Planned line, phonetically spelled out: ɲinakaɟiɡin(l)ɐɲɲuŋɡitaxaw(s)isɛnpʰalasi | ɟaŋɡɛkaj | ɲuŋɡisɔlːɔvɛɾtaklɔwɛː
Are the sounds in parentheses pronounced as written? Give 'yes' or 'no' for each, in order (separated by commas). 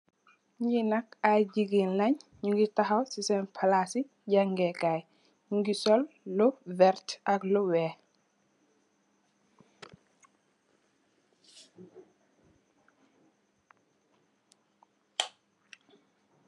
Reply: yes, yes